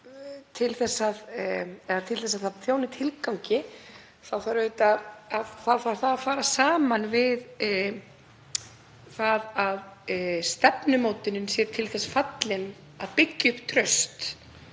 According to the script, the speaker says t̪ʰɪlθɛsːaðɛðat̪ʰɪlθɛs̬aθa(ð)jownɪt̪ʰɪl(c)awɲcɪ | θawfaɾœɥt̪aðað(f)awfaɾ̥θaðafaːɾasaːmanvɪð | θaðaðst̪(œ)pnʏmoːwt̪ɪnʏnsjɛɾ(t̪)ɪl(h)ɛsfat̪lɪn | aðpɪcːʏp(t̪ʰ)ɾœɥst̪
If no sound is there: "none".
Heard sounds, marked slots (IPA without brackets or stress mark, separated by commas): θ, k, θ, ɛ, t̪ʰ, θ, t̪ʰ